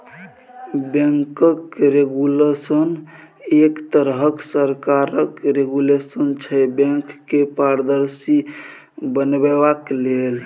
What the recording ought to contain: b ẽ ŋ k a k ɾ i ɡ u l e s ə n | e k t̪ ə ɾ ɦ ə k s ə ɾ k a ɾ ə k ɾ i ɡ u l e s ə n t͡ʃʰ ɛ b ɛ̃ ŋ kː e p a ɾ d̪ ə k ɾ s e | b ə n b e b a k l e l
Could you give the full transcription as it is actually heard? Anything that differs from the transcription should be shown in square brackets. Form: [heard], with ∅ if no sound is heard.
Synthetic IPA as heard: b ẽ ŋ k [ə] k ɾ [e] ɡ u l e s ə n | e k t̪ ə ɾ ɦ ə k s ə ɾ k a ɾ ə k ɾ [e] ɡ u l e s ə n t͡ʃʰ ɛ b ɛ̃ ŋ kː e p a ɾ d̪ ə [∅] ɾ s [i] | b ə n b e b a k l e l